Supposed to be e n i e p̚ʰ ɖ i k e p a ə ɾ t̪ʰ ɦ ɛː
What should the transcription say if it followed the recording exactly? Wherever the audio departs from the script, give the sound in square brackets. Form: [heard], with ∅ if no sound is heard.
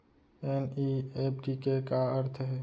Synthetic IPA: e n i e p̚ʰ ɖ i k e [k] a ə ɾ t̪ʰ ɦ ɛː